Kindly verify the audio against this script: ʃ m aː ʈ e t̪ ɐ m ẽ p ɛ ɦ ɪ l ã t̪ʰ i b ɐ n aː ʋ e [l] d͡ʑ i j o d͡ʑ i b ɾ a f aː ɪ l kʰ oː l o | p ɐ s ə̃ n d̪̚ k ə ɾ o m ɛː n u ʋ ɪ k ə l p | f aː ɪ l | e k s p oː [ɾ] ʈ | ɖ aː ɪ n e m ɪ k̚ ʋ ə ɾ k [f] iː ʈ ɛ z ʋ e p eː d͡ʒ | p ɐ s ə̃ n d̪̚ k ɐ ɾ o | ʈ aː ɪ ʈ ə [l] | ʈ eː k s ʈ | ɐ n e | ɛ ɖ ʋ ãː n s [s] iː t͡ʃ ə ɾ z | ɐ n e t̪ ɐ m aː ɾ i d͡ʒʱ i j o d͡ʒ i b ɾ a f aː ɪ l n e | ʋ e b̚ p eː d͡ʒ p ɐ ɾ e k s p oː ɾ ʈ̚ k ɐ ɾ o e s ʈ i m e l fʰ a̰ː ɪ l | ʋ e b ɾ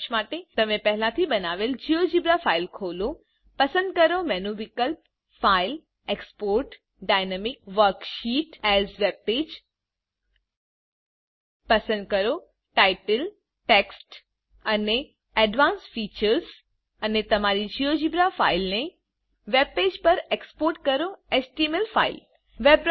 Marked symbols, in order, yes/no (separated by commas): yes, yes, no, yes, no